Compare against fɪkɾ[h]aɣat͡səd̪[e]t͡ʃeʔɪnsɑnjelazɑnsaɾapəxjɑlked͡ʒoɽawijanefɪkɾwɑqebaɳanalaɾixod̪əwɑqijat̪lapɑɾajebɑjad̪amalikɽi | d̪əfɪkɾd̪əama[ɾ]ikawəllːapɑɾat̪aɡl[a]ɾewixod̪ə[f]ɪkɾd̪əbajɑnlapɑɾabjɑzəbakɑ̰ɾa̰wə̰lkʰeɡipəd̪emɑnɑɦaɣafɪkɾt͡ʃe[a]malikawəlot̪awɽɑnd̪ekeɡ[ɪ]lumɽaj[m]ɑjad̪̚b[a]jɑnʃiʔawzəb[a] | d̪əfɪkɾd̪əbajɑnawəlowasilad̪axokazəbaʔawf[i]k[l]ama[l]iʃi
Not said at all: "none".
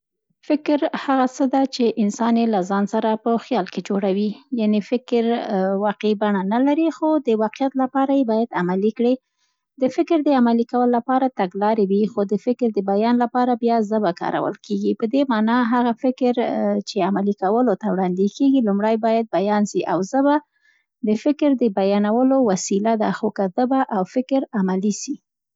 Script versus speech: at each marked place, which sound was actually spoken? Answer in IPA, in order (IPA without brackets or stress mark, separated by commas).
h, a, l, ɑ, f, a, i, b, a, a, ɪ, ɾ, l